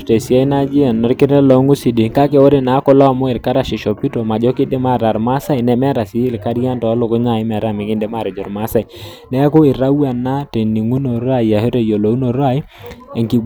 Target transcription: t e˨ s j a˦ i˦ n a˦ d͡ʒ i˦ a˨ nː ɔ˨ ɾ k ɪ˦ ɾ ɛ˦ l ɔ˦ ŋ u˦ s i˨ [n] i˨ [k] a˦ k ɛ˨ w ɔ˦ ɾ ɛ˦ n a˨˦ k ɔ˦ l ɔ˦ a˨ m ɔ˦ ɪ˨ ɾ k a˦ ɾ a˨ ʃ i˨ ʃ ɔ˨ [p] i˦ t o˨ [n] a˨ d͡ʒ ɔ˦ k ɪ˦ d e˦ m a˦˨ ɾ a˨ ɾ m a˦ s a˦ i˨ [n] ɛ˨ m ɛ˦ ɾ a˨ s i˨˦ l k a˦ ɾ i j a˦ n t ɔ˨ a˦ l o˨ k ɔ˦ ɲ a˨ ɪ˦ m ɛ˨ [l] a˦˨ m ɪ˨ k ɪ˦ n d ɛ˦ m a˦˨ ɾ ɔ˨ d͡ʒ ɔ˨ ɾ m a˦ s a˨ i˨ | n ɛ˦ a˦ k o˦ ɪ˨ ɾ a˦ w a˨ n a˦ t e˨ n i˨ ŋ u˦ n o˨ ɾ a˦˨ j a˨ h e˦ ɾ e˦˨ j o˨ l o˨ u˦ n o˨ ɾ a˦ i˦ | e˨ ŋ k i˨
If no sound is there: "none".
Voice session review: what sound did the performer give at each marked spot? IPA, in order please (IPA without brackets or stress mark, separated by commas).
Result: d, k, p, m, n, ɾ